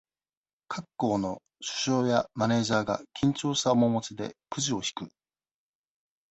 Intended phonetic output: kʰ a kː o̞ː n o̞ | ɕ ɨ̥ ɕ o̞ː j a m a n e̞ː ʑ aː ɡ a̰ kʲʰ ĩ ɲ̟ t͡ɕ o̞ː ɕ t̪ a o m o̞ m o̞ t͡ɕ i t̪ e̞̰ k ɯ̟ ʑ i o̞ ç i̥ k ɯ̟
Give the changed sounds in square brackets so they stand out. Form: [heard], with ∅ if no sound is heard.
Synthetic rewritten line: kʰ a kː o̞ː n o̞ | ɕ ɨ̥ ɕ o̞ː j a m a n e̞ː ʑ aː ɡ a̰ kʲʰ ĩ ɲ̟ t͡ɕ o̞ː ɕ t̪ a o m o̞ m o̞ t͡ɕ i [d̪] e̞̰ k ɯ̟ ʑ i o̞ ç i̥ k ɯ̟

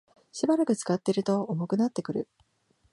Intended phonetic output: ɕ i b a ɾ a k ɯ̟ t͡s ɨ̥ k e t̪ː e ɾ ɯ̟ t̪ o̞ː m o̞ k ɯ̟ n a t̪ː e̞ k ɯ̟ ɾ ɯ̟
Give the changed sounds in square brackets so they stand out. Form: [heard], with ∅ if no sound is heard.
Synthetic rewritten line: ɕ i b a ɾ a k ɯ̟ t͡s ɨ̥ k [a] t̪ː e ɾ ɯ̟ t̪ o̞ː m o̞ k ɯ̟ n a t̪ː e̞ k ɯ̟ ɾ ɯ̟

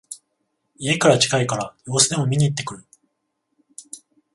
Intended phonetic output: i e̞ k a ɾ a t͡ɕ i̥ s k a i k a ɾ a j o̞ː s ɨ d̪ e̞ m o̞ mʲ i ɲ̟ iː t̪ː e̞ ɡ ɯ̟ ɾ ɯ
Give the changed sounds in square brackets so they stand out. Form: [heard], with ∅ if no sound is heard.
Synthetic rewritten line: i e̞ k a ɾ a t͡ɕ i̥ [∅] k a i k a ɾ a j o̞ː s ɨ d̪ e̞ m o̞ mʲ i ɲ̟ iː t̪ː e̞ [k] ɯ̟ ɾ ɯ

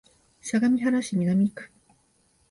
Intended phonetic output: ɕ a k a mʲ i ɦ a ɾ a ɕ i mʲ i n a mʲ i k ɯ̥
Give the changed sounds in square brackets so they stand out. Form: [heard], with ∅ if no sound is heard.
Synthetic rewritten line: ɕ a [ɡ] a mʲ i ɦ a ɾ a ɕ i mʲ i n a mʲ i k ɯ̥

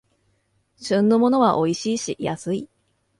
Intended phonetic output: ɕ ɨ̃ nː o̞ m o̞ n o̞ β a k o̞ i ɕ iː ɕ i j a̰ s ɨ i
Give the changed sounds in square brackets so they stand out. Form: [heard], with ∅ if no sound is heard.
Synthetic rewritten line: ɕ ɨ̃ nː o̞ m o̞ n o̞ β a [ʔ] o̞ i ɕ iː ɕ i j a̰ s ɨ i

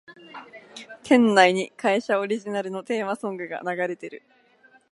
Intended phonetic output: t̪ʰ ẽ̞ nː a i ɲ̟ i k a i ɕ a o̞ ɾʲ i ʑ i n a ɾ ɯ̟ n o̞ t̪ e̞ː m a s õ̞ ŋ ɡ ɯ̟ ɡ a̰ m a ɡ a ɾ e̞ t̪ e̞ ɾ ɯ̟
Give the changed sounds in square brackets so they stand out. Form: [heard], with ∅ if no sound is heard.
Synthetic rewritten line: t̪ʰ ẽ̞ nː a i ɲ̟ i k a i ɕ a o̞ ɾʲ i ʑ i n a ɾ ɯ̟ n o̞ t̪ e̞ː m a s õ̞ ŋ ɡ ɯ̟ ɡ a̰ [n] a ɡ a ɾ e̞ t̪ e̞ ɾ ɯ̟

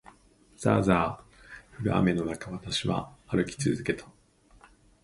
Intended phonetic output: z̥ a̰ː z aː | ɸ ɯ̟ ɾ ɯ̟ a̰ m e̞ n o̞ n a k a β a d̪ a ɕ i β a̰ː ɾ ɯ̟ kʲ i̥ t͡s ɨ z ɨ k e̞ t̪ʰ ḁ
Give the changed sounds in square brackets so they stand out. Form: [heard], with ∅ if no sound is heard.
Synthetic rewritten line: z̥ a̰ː z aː | ɸ ɯ̟ ɾ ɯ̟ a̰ m e̞ n o̞ n a k a β a [t̪] a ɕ i β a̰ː ɾ ɯ̟ kʲ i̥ t͡s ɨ z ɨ k e̞ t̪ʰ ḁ

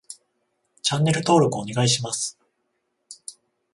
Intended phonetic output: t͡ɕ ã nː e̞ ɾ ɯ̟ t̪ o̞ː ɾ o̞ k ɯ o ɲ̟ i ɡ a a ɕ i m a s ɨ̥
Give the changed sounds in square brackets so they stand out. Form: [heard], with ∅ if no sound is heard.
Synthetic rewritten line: t͡ɕ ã nː e̞ ɾ ɯ̟ t̪ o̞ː ɾ o̞ k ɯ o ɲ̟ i ɡ a [i] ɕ i m a s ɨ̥

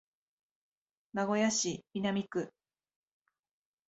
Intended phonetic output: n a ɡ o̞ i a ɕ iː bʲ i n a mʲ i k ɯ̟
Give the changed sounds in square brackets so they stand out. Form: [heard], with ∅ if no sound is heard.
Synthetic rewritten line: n a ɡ o̞ [j] a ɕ [i] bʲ i n a mʲ i k ɯ̟

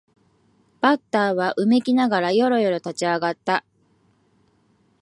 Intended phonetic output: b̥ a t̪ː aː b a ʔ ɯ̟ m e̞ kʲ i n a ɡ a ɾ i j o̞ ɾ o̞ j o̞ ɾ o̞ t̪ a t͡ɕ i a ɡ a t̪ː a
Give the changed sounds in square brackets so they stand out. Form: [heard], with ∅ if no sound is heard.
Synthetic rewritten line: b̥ a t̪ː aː [β] a ʔ ɯ̟ m e̞ kʲ i n a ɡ a ɾ [a] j o̞ ɾ o̞ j o̞ ɾ o̞ t̪ a t͡ɕ i a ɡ a t̪ː a

